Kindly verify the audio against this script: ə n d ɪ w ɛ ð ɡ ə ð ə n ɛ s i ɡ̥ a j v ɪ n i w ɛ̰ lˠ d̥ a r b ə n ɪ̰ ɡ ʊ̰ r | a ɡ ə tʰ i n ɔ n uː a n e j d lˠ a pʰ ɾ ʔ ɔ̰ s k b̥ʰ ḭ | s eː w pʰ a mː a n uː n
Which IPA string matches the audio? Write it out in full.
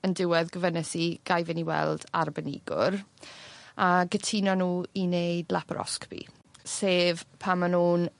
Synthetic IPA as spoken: ə n d ɪ w ɛ ð ɡ ə v ə n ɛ s i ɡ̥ a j v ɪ n i w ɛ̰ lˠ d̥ a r b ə n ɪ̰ ɡ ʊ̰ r | a ɡ ə tʰ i n ɔ n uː i n e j d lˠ a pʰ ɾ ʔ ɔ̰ s k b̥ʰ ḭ | s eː v pʰ a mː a n uː n

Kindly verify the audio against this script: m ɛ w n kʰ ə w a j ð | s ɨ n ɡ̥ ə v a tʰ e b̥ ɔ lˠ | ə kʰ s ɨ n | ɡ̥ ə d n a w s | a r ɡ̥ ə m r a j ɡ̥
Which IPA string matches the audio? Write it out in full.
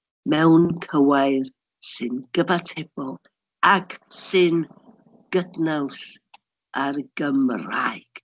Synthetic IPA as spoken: m ɛ w n kʰ ə w a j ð | s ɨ n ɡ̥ ə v a tʰ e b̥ ɔ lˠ | a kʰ s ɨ n | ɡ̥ ə d n a w s | a r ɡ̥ ə m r a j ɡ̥

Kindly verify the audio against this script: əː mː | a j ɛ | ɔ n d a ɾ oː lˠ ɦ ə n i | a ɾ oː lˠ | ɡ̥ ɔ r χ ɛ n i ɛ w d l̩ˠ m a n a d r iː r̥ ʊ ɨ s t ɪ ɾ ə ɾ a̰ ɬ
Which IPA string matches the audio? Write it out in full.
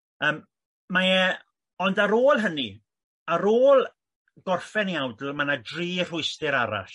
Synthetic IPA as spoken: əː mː | a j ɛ | ɔ n d a ɾ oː lˠ ɦ ə n i | a ɾ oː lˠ | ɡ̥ ɔ r f ɛ n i a w d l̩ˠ m a n a d r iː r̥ ʊ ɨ s t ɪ ɾ a ɾ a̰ ɬ

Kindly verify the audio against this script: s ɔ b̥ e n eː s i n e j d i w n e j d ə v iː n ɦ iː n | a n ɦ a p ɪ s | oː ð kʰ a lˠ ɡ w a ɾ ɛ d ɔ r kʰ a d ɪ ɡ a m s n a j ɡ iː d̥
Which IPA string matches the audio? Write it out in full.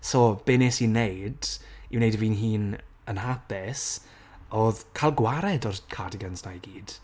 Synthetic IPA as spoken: s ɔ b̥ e n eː s i n e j d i w n e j d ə v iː n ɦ iː n | ə n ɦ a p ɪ s | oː ð kʰ a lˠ ɡ w a ɾ ɛ d ɔ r kʰ a d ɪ ɡ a n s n a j ɡ iː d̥

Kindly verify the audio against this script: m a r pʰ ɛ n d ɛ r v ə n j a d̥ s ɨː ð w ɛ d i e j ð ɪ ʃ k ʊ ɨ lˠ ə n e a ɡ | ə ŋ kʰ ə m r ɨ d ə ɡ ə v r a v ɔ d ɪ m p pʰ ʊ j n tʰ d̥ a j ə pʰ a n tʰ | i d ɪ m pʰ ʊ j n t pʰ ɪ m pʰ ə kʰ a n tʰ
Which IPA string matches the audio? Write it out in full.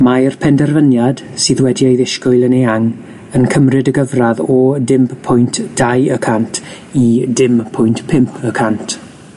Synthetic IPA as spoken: m a r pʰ ɛ n d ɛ r v ə n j a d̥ s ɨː ð w ɛ d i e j ð ɪ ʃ k ʊ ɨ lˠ ə n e a ŋ | ə n kʰ ə m r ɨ d ə ɡ ə v r a ð ɔ d ɪ m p pʰ ʊ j n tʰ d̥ a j ə kʰ a n tʰ | i d ɪ m pʰ ʊ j n t pʰ ɪ m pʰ ə kʰ a n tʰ

